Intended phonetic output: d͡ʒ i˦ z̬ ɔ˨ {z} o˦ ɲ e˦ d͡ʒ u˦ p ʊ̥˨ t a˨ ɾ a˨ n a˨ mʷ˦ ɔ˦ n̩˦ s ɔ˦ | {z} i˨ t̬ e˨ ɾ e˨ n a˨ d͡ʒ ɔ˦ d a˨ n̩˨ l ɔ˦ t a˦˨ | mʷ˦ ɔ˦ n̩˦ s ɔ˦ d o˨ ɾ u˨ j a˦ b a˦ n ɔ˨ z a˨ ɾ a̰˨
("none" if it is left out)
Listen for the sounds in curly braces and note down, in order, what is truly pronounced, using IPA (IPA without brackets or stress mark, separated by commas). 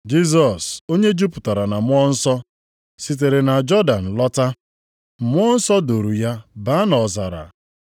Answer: s, s